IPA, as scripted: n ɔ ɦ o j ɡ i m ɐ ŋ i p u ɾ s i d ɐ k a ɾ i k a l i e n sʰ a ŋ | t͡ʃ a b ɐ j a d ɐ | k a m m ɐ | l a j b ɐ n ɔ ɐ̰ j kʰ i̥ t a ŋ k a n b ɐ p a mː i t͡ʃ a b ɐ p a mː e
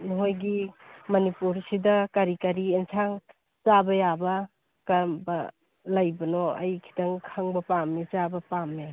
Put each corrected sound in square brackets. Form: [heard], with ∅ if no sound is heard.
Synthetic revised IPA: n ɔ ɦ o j ɡ i m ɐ [n] i p u ɾ s i d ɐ k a ɾ i k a [ɾ] i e n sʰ a ŋ | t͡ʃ a b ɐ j a [b] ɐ | k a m [b] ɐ | l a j b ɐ n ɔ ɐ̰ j kʰ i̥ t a ŋ [kʰ] a [ŋ] b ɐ p a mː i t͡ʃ a b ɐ p a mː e

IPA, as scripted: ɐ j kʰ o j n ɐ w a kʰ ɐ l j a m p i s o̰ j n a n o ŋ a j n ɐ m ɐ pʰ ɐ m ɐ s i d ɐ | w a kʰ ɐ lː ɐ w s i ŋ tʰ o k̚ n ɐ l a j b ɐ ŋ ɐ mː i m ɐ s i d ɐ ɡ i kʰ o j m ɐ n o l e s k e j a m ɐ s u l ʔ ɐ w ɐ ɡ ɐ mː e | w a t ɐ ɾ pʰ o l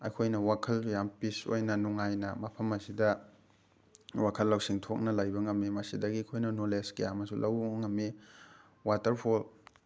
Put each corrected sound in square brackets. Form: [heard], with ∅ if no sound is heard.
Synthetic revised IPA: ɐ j kʰ o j n ɐ w a kʰ ɐ l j a m p i s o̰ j n [ɐ] n [u] ŋ a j n ɐ m ɐ pʰ ɐ m ɐ s i d ɐ | w a kʰ ɐ lː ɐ w s i ŋ tʰ o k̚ n ɐ l a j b ɐ ŋ ɐ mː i m ɐ s i d ɐ ɡ i kʰ o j [n] ɐ n o l e s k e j a m ɐ s u l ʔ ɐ w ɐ [ŋ] ɐ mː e | w a t ɐ ɾ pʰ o l

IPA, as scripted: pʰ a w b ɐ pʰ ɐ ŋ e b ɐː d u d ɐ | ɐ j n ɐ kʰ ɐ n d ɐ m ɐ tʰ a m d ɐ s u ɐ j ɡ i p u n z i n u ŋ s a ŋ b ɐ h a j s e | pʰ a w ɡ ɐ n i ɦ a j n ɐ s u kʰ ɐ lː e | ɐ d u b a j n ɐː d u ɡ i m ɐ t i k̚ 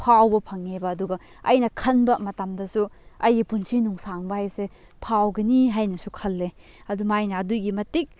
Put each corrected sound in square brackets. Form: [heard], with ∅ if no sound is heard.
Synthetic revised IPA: pʰ a w b ɐ pʰ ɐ ŋ e b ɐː d u [ɡ] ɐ | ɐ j n ɐ kʰ ɐ n [b] ɐ m ɐ [t] a m d ɐ s u ɐ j ɡ i p u n [s] i n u ŋ s a ŋ b ɐ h a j s e | pʰ a w ɡ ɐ n i ɦ a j n ɐ s u kʰ ɐ lː e | ɐ d u [m] a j n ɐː d u ɡ i m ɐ t i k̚

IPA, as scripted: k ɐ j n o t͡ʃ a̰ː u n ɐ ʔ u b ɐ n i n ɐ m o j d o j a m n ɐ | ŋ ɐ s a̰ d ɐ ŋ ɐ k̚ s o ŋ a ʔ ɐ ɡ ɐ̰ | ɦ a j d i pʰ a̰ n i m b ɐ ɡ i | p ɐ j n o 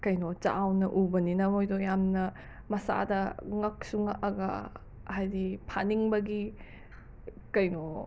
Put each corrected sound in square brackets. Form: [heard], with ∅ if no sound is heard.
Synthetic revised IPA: k ɐ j n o t͡ʃ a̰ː [w] n ɐ ʔ u b ɐ n i n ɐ m o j d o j a m n ɐ | [m] ɐ s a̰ d ɐ ŋ ɐ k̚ s [u] ŋ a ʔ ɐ ɡ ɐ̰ | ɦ a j d i pʰ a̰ n i [ŋ] b ɐ ɡ i | [k] ɐ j n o

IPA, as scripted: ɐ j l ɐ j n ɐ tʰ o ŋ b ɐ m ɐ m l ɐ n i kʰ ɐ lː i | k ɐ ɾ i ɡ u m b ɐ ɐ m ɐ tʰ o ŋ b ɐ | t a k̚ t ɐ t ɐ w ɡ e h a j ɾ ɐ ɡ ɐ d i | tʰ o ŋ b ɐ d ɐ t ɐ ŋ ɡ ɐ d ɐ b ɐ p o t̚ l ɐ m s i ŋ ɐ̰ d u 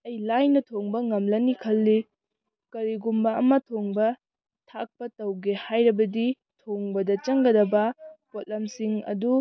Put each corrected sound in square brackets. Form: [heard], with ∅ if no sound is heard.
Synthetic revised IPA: ɐ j l [a] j n ɐ tʰ o ŋ b ɐ [ŋ] ɐ m l ɐ n i kʰ ɐ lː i | k ɐ ɾ i ɡ u m b ɐ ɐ m ɐ tʰ o ŋ b ɐ | [tʰ] a k̚ [p] ɐ t ɐ w ɡ e h a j ɾ ɐ [b] ɐ d i | tʰ o ŋ b ɐ d ɐ [t͡ʃ] ɐ ŋ ɡ ɐ d ɐ b ɐ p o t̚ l ɐ m s i ŋ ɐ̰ d u

